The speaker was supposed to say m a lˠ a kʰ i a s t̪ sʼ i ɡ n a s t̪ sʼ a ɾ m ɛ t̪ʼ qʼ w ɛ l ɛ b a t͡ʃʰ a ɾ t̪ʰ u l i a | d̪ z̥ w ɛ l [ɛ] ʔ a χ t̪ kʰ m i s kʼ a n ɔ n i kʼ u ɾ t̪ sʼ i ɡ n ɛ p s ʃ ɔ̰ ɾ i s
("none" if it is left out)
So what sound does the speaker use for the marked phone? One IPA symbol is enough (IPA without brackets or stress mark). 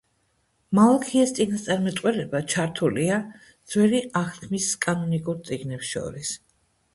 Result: i